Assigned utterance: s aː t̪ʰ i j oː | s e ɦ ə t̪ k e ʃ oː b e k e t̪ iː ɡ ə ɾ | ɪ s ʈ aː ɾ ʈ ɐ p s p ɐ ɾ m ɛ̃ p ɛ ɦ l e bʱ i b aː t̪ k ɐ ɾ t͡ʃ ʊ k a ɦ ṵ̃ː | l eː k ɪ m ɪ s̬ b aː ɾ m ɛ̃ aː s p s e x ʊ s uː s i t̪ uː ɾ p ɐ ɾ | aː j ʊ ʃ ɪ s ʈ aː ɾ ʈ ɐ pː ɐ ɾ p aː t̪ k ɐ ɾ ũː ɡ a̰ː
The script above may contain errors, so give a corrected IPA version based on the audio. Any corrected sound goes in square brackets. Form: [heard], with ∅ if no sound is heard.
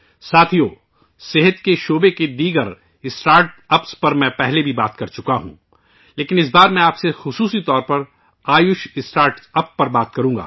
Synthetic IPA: s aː t̪ʰ i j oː | s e ɦ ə t̪ k e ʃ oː b e k e [d̪] iː ɡ ə ɾ | ɪ s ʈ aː ɾ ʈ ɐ p s p ɐ ɾ m ɛ̃ p ɛ ɦ l e bʱ i b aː t̪ k ɐ ɾ t͡ʃ ʊ k a ɦ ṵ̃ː | l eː k ɪ [n] ɪ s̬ b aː ɾ m ɛ̃ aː [∅] p s e x ʊ s uː s i t̪ [ɔː] ɾ p ɐ ɾ | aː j ʊ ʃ ɪ s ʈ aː ɾ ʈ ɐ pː ɐ ɾ [b] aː t̪ k ɐ ɾ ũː ɡ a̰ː